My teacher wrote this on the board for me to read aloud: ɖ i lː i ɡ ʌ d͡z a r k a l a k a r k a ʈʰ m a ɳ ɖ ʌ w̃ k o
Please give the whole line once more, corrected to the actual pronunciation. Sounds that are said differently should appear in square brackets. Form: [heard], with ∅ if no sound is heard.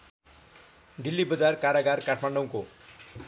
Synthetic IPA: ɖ i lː i [b] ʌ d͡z a r k a [ɾ] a [ɡ] a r k a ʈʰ m a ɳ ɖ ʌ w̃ k o